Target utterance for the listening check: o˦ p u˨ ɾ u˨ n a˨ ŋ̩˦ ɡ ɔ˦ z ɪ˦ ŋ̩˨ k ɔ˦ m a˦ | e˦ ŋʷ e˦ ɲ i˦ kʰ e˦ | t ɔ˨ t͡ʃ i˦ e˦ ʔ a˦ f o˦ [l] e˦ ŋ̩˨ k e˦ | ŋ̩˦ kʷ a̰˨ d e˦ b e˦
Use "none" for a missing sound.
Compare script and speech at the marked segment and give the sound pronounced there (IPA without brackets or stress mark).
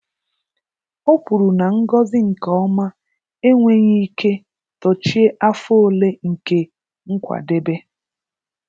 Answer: l